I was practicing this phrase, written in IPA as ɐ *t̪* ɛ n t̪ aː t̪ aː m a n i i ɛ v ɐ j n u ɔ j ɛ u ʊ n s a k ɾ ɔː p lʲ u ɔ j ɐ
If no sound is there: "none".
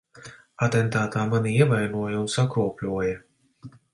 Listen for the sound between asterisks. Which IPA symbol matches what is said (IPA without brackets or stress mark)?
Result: t̪